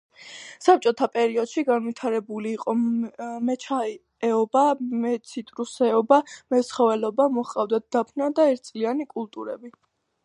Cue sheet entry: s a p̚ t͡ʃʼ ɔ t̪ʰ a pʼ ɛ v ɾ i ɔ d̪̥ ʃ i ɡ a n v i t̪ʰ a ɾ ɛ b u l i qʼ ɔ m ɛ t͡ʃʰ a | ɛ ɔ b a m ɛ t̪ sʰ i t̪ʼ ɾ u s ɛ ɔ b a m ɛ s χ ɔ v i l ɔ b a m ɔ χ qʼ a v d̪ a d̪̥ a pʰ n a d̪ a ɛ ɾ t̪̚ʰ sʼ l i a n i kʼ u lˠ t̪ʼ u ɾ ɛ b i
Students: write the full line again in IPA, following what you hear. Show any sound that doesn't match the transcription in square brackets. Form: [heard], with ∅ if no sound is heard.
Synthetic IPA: s a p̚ t͡ʃʼ ɔ t̪ʰ a pʼ ɛ [∅] ɾ i ɔ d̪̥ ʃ i ɡ a n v i t̪ʰ a ɾ ɛ b u l [iː] qʼ ɔ m ɛ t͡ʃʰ a | ɛ ɔ b a m ɛ t̪ sʰ i t̪ʼ ɾ u s ɛ ɔ b a m ɛ s χ ɔ v [ɛ] l ɔ b a m ɔ χ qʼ a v d̪ a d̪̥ a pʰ n a d̪ a ɛ ɾ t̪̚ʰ sʼ l i a n i kʼ u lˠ t̪ʼ u ɾ ɛ b i

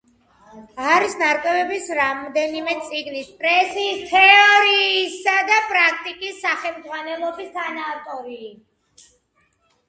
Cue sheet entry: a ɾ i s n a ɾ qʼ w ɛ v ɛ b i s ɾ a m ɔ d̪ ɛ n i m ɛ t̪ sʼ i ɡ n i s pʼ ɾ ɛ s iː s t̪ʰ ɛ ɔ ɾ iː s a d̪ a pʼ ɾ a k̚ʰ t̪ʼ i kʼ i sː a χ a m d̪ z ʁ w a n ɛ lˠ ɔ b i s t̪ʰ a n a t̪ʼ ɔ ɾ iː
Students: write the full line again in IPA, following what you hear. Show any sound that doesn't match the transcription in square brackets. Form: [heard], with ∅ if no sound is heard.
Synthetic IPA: a ɾ i s n a ɾ [kʼ] w ɛ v ɛ b i s ɾ a m ɔ d̪ ɛ n i m ɛ t̪ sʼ i ɡ n i s pʼ ɾ ɛ s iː s t̪ʰ ɛ ɔ ɾ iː s a d̪ a pʼ ɾ a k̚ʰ t̪ʼ i kʼ i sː a χ [ɛ] m d̪ z ʁ w a n ɛ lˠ ɔ b i s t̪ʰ a n a t̪ʼ ɔ ɾ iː

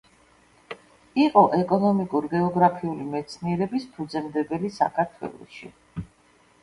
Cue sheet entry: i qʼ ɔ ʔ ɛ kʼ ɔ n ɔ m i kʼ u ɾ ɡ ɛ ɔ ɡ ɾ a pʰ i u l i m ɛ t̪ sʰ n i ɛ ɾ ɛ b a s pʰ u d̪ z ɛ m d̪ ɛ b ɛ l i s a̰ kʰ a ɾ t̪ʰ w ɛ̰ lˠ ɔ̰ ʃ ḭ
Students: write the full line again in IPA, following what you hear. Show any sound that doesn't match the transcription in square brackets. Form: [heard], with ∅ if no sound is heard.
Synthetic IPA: i qʼ ɔ ʔ ɛ kʼ ɔ n ɔ m i kʼ u ɾ ɡ ɛ ɔ ɡ ɾ a pʰ i u l i m ɛ t̪ sʰ n i ɛ ɾ ɛ b [i] s pʰ u d̪ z ɛ m d̪ ɛ b ɛ l i s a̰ kʰ a ɾ t̪ʰ w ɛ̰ lˠ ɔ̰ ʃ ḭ

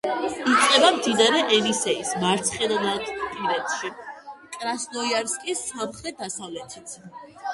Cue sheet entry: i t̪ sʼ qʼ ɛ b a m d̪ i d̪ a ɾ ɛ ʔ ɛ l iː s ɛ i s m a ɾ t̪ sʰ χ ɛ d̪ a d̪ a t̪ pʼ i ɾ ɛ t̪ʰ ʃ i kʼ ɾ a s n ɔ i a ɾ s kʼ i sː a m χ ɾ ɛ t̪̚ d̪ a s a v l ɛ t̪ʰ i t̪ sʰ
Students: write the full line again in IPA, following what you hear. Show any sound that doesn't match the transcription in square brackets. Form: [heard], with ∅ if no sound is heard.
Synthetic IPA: i t̪ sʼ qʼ ɛ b a m d̪ i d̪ a ɾ ɛ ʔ ɛ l [i] s ɛ i s m a ɾ t̪ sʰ χ ɛ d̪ a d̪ a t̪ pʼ i ɾ ɛ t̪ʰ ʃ i kʼ ɾ a s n ɔ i a ɾ s kʼ i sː a m χ ɾ ɛ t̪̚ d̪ a s a v l ɛ t̪ʰ i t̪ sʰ

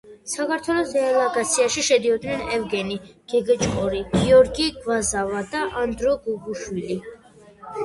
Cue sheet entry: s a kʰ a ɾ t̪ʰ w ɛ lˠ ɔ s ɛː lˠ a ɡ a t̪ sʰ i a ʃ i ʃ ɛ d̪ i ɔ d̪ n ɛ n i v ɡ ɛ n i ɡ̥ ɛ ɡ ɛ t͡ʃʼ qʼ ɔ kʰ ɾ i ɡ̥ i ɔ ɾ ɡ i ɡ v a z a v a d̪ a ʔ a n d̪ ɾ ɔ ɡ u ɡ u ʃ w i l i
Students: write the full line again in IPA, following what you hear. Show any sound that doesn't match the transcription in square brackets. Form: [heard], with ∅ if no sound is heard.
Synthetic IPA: s a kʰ a ɾ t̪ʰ w ɛ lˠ ɔ s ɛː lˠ a ɡ a t̪ sʰ i a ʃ i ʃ ɛ d̪ i ɔ d̪ n ɛ n [ɛ] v ɡ ɛ n i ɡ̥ ɛ ɡ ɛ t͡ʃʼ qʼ ɔ [∅] ɾ i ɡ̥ i ɔ ɾ ɡ i ɡ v a z a v a d̪ a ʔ a n d̪ ɾ ɔ ɡ u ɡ u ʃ w i l i

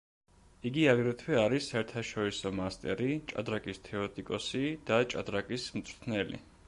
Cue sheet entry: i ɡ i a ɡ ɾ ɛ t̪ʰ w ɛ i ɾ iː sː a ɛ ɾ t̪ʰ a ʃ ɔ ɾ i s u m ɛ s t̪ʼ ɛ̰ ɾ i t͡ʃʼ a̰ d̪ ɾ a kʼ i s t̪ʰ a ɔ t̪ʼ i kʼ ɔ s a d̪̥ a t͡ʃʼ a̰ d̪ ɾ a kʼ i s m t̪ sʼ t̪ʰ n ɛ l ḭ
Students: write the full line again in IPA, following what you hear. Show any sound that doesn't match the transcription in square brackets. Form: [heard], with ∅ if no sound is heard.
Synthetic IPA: i ɡ i a ɡ ɾ ɛ t̪ʰ w ɛ [a] ɾ [i] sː a ɛ ɾ t̪ʰ a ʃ ɔ ɾ i s [ɔ] m [a] s t̪ʼ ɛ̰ ɾ i t͡ʃʼ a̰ d̪ ɾ a kʼ i s t̪ʰ [ɛ] ɔ t̪ʼ i kʼ ɔ s [i] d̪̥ a t͡ʃʼ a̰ d̪ ɾ a kʼ i s m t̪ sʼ t̪ʰ n ɛ l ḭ

